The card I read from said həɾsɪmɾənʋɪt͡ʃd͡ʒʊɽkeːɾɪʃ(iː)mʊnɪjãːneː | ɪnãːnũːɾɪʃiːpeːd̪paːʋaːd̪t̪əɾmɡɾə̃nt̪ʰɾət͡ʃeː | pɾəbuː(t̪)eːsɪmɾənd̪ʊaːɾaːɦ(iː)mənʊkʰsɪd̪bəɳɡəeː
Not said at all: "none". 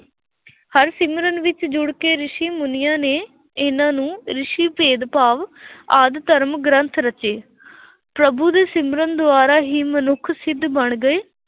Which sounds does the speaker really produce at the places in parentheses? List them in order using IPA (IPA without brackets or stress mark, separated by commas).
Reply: iː, d̪, iː